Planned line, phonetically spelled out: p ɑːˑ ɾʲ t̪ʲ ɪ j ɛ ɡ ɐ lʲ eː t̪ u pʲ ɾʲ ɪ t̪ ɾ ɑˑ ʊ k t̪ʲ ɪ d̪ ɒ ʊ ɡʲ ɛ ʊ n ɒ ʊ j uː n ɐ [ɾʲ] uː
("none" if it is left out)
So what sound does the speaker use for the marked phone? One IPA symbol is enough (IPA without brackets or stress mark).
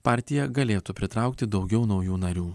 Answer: ɾʲ